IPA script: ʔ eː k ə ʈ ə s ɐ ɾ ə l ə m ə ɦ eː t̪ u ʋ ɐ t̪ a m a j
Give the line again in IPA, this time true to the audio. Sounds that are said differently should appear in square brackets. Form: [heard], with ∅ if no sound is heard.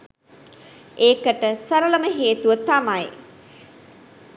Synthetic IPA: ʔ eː k ə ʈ ə s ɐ ɾ ə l ə m ə ɦ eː t̪ u ʋ [ə] t̪ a m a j